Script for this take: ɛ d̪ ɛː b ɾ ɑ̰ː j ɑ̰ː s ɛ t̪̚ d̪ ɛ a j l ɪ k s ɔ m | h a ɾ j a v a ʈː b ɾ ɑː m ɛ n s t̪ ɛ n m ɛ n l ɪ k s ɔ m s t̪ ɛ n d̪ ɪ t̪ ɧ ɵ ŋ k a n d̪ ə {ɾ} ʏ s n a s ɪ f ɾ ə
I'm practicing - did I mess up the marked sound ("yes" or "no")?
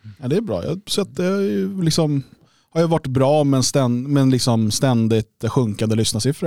yes